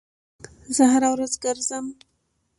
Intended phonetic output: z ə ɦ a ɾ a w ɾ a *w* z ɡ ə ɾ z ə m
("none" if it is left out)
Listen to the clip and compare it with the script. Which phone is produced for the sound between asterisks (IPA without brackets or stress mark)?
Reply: none